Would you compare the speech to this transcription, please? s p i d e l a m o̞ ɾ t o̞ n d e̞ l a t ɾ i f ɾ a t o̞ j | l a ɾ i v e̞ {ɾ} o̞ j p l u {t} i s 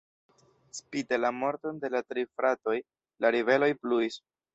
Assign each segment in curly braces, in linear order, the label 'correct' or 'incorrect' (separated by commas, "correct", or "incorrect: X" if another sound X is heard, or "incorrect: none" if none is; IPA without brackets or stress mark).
incorrect: l, incorrect: none